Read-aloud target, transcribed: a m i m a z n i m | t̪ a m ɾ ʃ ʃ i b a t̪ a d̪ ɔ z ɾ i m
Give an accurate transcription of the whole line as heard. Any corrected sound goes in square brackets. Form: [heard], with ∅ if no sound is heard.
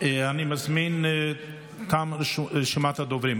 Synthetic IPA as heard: a [n] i m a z [m] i [n] | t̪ a m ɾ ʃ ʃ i [m] a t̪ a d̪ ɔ [v] ɾ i m